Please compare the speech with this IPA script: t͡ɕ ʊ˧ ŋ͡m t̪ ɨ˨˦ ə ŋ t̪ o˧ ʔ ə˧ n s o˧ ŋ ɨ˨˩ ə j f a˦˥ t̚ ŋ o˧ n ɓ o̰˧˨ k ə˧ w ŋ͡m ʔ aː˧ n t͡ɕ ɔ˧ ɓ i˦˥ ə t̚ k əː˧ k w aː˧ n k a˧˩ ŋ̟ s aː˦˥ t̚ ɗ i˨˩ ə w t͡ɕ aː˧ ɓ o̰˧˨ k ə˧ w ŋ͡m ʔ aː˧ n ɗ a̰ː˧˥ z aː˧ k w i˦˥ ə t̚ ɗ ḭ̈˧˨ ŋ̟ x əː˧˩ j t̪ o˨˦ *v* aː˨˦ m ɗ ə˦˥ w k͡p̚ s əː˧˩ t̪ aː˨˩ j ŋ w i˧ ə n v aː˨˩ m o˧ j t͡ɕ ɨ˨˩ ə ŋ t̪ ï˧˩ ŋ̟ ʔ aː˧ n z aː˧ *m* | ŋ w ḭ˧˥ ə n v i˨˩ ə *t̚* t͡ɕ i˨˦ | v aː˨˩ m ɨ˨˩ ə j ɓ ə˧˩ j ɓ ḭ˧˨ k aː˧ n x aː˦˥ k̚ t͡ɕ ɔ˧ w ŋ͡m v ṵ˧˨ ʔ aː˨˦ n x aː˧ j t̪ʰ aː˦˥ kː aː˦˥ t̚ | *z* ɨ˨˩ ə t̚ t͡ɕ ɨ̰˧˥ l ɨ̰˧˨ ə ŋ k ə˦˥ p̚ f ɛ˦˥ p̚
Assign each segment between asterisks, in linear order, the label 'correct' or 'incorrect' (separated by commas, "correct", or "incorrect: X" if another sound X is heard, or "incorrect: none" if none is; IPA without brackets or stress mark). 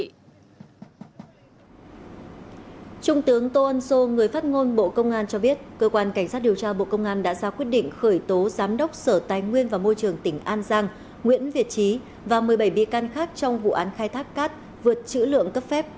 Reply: incorrect: z, incorrect: ŋ, correct, incorrect: v